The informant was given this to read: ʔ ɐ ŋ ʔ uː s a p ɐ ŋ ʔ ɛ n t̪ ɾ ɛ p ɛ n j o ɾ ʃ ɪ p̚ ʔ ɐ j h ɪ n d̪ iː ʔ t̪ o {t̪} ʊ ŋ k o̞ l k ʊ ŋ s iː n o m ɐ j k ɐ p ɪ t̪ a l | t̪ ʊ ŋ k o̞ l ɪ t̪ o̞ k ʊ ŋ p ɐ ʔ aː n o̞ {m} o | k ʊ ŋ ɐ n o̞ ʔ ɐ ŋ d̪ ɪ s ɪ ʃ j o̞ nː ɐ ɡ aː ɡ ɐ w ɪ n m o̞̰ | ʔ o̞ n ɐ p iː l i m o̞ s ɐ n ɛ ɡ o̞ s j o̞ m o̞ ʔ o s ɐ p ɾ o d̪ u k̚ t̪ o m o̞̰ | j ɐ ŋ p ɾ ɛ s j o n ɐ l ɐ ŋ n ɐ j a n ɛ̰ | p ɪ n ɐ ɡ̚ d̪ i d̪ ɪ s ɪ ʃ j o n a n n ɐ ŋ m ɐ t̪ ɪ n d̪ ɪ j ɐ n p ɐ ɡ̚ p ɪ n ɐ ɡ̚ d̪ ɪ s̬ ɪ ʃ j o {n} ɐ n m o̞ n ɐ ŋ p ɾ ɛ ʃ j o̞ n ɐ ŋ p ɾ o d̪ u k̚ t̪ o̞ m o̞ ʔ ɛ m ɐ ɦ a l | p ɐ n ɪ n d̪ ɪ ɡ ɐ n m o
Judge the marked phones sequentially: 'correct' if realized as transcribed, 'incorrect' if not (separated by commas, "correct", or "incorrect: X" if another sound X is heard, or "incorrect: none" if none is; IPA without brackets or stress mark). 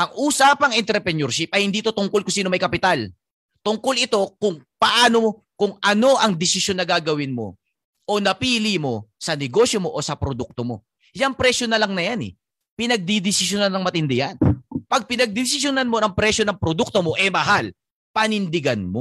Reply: correct, correct, correct